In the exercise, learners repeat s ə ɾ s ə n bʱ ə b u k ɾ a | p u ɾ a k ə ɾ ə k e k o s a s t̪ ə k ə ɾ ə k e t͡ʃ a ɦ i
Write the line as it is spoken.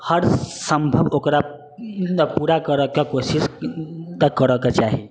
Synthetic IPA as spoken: h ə ɾ s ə m bʱ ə b o k ɾ a | p u ɾ a k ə ɾ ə k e k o s i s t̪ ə k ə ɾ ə k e t͡ʃ a ɦ i